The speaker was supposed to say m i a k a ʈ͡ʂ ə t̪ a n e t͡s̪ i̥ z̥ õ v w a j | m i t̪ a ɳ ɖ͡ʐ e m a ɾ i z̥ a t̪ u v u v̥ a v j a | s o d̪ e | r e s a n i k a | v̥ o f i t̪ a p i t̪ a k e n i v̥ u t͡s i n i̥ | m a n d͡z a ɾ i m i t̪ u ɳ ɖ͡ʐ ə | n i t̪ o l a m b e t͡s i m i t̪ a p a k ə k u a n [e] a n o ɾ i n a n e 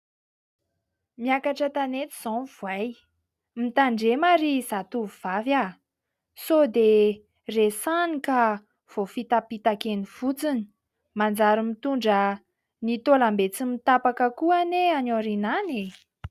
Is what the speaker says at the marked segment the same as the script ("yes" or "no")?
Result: yes